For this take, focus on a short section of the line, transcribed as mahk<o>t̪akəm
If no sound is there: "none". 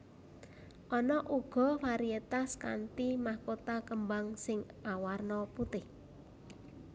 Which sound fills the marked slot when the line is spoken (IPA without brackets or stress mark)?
o